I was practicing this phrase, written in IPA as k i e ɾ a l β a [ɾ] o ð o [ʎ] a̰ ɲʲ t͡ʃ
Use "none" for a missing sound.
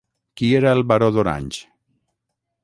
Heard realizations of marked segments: ɾ, ɾ

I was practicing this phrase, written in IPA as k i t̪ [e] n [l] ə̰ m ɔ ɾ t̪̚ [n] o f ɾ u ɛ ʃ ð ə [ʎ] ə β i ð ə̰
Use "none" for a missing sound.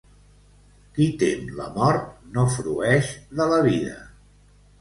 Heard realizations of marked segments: e, l, n, l

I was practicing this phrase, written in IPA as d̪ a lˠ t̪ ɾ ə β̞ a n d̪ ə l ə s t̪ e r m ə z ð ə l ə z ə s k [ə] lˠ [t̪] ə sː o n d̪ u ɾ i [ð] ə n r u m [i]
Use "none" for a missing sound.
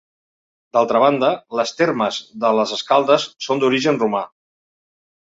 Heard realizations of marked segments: a, d̪, ʒ, a

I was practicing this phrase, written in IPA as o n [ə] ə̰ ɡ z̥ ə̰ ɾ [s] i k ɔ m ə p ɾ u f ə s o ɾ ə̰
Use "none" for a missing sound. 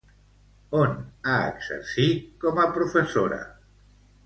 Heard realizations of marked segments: a, s

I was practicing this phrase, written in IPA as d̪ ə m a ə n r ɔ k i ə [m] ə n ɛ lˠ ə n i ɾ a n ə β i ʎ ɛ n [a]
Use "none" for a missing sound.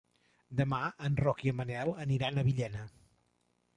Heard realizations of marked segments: m, ə

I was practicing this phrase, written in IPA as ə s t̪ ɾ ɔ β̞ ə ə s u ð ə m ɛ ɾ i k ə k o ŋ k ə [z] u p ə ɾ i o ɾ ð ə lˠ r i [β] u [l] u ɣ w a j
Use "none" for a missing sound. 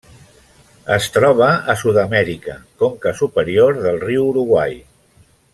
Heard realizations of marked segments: s, w, ɾ

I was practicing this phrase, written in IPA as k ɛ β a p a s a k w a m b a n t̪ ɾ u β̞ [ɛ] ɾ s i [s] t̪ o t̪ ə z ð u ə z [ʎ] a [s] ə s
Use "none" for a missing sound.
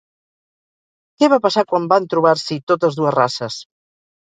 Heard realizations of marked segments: a, none, r, s

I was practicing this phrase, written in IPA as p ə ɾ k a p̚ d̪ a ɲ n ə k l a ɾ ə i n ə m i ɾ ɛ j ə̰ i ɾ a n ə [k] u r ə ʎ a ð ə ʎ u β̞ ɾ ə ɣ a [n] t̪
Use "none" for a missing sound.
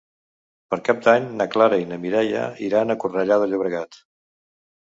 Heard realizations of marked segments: k, none

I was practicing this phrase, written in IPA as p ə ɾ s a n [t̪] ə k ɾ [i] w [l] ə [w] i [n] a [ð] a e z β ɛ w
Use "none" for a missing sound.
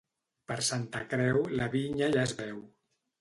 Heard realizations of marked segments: t̪, ɛ, l, β, ɲ, ʒ

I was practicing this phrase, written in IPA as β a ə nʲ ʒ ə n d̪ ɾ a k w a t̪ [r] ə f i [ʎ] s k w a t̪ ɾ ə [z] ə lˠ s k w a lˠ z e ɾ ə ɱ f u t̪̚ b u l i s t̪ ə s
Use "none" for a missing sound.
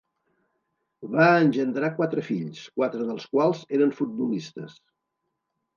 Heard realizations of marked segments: ɾ, ʎ, ð

